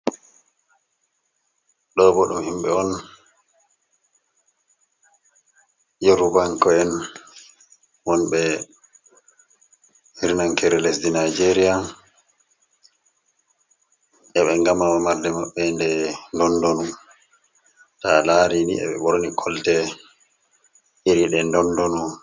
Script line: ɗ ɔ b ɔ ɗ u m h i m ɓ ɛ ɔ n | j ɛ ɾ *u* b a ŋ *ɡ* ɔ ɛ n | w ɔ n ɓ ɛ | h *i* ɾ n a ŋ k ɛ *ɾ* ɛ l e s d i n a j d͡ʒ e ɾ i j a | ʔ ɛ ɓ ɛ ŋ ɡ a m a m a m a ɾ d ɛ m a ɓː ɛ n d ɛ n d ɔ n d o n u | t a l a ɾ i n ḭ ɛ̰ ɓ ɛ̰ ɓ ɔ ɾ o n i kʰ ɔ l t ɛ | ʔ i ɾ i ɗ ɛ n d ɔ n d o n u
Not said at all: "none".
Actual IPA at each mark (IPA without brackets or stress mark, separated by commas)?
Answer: u, k, i, ɾ